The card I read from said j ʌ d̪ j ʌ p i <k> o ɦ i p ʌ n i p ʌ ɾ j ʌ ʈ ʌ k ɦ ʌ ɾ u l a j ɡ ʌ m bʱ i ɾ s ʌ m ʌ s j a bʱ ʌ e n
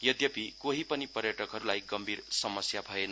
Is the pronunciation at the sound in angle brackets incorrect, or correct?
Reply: correct